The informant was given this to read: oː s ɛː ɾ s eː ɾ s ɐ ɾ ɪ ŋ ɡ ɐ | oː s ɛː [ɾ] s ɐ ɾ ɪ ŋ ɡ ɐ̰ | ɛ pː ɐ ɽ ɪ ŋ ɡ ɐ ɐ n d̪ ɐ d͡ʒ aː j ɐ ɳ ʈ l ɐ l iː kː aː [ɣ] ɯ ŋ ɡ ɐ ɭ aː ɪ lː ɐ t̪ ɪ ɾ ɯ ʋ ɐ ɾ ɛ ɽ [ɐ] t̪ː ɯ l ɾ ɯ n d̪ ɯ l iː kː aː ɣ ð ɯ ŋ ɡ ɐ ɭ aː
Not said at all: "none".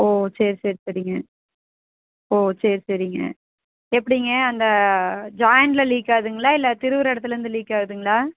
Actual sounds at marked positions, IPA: ɾ, ð, ɐ

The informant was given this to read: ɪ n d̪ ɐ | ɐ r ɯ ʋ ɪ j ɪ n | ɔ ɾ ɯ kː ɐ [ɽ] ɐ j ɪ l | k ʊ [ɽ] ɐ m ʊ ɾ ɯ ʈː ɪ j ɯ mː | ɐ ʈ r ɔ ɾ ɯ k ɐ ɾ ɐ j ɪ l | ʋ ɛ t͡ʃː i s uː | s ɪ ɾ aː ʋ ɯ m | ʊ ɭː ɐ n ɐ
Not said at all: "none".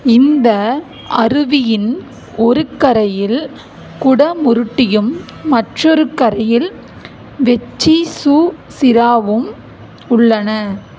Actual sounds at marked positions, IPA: ɾ, ɽ

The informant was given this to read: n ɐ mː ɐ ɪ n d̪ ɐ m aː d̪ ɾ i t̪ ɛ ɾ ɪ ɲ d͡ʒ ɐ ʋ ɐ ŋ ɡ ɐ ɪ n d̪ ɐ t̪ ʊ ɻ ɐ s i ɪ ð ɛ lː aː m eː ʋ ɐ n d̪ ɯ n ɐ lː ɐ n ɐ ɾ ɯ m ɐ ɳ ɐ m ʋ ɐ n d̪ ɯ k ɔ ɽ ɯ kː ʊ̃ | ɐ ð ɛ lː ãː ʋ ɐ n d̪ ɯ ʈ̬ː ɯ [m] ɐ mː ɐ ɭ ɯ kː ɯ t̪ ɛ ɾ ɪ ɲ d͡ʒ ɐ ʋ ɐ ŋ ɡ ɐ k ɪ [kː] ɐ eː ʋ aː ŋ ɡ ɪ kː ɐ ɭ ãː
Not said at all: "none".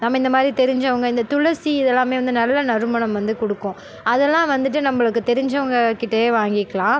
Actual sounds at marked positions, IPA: n, ʈː

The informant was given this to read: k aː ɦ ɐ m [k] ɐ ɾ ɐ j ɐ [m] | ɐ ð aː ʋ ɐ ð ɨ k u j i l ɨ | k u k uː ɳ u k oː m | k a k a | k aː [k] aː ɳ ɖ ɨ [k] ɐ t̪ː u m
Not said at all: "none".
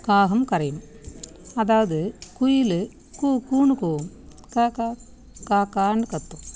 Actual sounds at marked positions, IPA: k, m, k, k

